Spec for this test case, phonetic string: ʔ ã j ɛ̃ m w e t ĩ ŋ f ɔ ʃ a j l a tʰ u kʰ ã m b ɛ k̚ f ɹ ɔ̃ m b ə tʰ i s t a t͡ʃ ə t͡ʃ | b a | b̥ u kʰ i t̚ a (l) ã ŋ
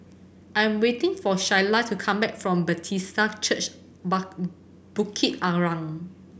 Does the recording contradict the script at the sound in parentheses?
yes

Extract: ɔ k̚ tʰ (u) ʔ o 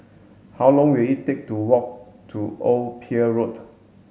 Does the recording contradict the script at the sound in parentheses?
no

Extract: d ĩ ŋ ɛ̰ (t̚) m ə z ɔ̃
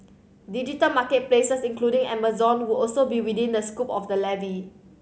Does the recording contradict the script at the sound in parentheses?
yes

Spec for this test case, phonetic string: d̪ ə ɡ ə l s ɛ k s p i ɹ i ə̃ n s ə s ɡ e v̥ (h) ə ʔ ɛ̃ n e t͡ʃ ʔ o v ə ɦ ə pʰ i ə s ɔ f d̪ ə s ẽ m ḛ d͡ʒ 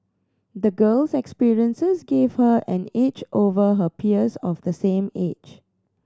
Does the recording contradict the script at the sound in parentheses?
no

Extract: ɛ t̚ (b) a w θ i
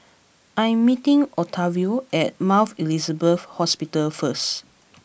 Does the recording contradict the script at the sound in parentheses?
yes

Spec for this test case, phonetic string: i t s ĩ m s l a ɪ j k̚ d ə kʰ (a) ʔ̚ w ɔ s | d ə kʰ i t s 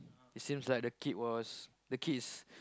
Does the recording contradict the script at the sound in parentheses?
yes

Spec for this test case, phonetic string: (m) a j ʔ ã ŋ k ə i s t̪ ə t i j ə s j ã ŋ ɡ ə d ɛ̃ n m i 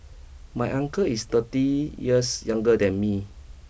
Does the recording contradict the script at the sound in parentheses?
no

